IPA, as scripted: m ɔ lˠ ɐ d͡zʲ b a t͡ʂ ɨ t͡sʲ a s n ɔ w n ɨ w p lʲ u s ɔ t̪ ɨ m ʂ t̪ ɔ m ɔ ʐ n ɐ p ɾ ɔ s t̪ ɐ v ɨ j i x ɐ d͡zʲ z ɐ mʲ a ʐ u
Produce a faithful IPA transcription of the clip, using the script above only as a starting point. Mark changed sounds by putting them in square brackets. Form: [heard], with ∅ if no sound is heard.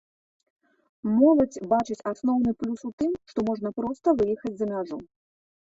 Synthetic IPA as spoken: m ɔ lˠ ɐ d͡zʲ b a t͡ʂ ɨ t͡sʲ a s n ɔ w n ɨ [∅] p lʲ u s [u] t̪ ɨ m ʂ t̪ ɔ m ɔ ʐ n ɐ p ɾ ɔ s t̪ ɐ v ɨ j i x ɐ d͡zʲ z ɐ mʲ a ʐ u